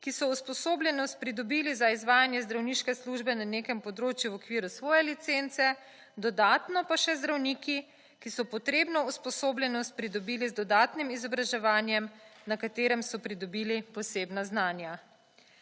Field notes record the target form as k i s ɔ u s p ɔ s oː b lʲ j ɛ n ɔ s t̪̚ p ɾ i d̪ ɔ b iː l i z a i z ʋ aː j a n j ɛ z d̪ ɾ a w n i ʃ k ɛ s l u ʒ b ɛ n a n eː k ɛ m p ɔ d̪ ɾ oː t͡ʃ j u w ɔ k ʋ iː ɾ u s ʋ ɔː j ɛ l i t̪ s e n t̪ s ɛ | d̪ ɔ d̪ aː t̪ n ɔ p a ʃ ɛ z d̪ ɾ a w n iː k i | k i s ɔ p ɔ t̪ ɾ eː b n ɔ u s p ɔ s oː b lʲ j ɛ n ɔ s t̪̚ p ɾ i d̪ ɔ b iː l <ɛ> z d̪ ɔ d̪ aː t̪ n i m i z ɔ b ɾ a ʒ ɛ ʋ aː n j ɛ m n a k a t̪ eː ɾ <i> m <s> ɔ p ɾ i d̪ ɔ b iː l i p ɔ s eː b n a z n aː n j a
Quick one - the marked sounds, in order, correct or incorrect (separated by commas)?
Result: incorrect, incorrect, correct